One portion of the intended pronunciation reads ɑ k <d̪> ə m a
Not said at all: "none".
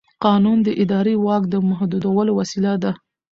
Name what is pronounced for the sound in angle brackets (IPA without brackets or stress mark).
d̪